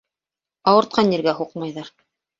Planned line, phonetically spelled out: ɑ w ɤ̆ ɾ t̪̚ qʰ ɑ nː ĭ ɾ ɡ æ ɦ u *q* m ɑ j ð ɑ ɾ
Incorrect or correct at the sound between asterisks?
correct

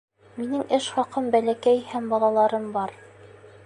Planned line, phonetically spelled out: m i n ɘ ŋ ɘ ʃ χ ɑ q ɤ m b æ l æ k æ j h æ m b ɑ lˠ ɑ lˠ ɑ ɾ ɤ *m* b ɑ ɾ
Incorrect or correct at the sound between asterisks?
correct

